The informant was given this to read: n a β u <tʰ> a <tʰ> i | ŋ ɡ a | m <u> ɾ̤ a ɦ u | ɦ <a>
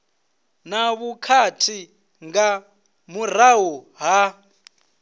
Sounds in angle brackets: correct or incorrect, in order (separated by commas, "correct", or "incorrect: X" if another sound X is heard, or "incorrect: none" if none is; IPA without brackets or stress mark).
incorrect: kʰ, correct, correct, correct